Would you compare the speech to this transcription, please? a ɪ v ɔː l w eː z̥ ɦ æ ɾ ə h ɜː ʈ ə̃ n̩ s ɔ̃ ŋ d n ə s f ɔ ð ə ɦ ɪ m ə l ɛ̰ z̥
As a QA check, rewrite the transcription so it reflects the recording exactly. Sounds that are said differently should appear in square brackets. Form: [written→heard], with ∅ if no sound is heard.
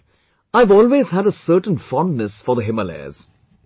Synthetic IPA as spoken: a ɪ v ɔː l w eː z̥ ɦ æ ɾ ə [h→s] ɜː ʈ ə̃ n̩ [s→f] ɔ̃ [ŋ→n] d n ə s f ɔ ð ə ɦ ɪ m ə l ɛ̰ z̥